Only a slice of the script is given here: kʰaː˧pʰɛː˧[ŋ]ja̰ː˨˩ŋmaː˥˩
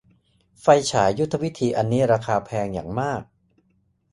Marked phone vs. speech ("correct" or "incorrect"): correct